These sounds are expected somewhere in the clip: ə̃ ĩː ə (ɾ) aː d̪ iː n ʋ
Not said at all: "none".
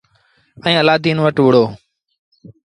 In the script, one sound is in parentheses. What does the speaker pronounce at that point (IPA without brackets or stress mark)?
l